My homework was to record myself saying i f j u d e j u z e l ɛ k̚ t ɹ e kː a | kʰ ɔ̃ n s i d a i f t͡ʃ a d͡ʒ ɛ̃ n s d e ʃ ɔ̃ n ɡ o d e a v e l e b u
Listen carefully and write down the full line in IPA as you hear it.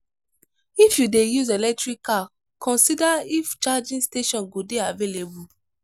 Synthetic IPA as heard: i f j u d e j u z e l ɛ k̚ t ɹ i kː a | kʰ ɔ̃ n s i d a i f t͡ʃ a d͡ʒ ĩ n s t e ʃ ɔ̃ n ɡ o d e a v e l e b u

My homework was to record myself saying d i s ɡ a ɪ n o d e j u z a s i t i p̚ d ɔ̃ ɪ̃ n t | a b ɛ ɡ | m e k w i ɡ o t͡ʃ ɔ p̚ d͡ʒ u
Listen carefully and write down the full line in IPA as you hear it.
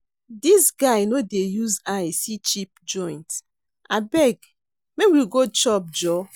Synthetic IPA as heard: d i s ɡ a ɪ n o d e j u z a s i t͡ʃ i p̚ d͡ʒ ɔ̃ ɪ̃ n t | a b ɛ ɡ | m e k w i ɡ o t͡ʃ ɔ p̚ d͡ʒ ɔ

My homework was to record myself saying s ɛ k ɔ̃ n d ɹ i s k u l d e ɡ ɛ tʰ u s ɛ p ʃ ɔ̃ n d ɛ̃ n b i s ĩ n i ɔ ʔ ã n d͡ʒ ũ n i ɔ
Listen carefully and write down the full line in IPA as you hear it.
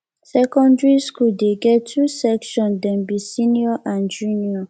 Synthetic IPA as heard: s ɛ k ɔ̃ n d ɹ i s k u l d e ɡ ɛ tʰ u s ɛ k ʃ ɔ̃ n d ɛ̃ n b i s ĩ n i ɔ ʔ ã n d͡ʒ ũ n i ɔ

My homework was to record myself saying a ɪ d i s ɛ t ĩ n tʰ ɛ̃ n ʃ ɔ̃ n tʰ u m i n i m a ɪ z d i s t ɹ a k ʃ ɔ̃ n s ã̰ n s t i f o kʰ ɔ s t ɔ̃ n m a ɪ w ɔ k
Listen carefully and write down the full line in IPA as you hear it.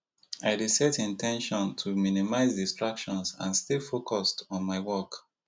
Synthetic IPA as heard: a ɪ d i s ɛ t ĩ n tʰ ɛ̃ n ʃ ɔ̃ n tʰ u m i n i m a ɪ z d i s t ɹ a k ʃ ɔ̃ n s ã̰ n s t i f o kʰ ɔ s t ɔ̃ n m a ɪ w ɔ k

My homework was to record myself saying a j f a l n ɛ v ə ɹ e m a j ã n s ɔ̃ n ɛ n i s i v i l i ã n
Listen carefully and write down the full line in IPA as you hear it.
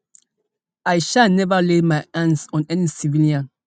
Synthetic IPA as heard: a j ʃ a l n ɛ v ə l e m a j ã n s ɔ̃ n ɛ n i s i v i l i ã n

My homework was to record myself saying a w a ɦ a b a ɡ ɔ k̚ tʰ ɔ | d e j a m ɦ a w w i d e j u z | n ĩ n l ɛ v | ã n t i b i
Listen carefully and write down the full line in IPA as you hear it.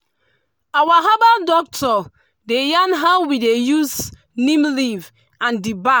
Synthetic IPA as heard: a w a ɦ a b a d ɔ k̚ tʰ ɔ | d e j a n ɦ a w w i d e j u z | n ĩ m l i v | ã n d i b a

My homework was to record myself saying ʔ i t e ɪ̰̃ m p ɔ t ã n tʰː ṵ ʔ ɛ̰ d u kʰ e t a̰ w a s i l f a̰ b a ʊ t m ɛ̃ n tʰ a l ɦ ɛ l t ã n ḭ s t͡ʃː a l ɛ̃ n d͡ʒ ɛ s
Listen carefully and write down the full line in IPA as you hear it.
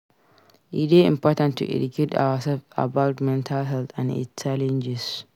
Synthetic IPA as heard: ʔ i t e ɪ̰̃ m p ɔ t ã n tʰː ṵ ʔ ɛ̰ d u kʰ e t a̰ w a s ɛ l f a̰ b a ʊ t m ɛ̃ n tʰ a l ɦ ɛ l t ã n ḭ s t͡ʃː a l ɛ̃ n d͡ʒ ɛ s

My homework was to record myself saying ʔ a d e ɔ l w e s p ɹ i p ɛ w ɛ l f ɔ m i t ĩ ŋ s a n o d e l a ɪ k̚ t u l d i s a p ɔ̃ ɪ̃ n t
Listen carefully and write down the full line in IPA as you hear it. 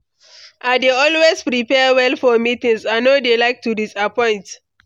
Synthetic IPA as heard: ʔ a d e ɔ l w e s p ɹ i p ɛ w ɛ l f ɔ m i t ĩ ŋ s a n o d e l a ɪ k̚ t u d i s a p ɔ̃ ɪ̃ n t

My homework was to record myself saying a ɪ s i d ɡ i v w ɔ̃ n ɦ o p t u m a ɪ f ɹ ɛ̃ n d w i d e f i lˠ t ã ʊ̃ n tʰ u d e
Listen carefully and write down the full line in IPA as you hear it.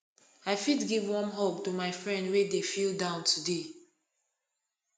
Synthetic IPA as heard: a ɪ f i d ɡ i v w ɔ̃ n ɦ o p t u m a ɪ f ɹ ɛ̃ n d w e d e f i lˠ d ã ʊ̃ n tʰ u d e

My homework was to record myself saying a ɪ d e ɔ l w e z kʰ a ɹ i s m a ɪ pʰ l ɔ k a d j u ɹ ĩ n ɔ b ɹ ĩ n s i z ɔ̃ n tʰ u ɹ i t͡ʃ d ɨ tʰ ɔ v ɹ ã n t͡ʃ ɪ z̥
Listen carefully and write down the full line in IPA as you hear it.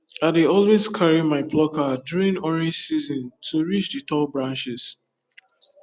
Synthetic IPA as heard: a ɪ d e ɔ l w e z kʰ a ɹ i m a ɪ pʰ l ɔ k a d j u ɹ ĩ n ɔ ɹ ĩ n s i z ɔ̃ n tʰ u ɹ i t͡ʃ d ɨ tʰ ɔ b ɹ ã n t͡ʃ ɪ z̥

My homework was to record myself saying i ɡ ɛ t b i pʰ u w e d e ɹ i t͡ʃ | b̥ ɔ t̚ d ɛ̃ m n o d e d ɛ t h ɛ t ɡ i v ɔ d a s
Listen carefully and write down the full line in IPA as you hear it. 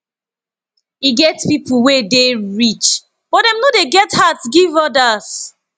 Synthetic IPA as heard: i ɡ ɛ t p i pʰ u w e d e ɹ i t͡ʃ | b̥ ɔ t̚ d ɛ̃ m n o d e ɡ ɛ t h a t ɡ i v ɔ d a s

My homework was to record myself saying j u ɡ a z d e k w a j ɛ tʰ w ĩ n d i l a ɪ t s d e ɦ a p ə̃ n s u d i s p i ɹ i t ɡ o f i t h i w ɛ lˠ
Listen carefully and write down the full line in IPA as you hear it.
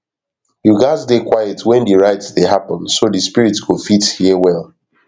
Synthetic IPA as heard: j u ɡ a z d e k w a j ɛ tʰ w ɛ̃ n d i ɹ a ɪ t s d e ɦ a p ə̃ n s o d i s p i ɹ i t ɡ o f i t h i w ɛ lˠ

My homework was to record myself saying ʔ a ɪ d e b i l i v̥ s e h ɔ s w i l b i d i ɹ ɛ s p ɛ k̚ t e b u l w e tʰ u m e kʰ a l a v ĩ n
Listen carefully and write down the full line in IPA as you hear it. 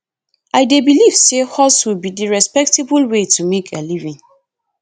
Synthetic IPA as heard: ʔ a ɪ d e b i l i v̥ s e h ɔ s w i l b i d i ɹ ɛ s p ɛ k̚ t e b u l w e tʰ u m e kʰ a l i v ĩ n

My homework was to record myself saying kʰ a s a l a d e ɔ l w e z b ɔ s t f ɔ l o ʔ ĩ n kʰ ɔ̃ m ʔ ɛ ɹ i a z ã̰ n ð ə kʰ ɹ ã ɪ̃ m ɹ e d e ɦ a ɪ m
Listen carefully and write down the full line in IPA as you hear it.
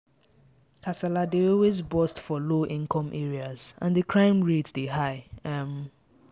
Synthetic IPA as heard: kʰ a s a l a d e ɔ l w e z b ɔ s t f ɔ l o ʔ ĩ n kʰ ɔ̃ m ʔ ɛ ɹ i a z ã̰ n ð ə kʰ ɹ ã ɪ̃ m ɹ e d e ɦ a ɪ m

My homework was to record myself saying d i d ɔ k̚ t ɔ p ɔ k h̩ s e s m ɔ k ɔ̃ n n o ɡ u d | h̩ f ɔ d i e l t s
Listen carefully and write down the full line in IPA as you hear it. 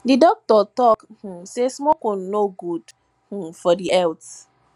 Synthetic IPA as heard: d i d ɔ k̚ t ɔ t ɔ k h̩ s e s m ɔ k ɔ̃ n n o ɡ u d | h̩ f ɔ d i ɛ l t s

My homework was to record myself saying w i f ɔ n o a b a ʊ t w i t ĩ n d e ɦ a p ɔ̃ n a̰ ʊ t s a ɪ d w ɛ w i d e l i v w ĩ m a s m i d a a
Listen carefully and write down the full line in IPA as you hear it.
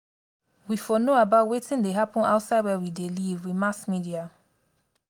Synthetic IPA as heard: w i f ɔ n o a b a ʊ t w e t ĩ n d e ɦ a p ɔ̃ n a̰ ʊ t s a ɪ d w ɛ w i d e l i v w i m a s m i d i a

